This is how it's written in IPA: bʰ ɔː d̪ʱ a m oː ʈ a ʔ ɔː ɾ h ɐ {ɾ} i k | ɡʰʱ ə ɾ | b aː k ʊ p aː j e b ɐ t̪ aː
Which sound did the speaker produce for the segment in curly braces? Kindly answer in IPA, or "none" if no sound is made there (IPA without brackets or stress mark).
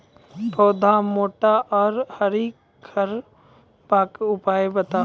ɾ